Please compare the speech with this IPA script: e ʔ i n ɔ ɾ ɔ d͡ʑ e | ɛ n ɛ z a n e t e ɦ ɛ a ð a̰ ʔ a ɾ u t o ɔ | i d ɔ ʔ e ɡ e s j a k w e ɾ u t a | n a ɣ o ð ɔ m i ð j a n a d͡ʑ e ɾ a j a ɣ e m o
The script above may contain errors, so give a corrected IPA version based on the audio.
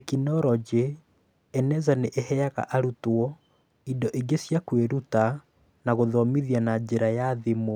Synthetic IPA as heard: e k i n ɔ ɾ ɔ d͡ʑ e | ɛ n ɛ z a n e ʔ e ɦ ɛ a ɣ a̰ ʔ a ɾ u t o ɔ | i d ɔ ʔ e ɡ e s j a k w e ɾ u t a | n a ɣ o ð ɔ m i ð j a n a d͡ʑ e ɾ a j a ð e m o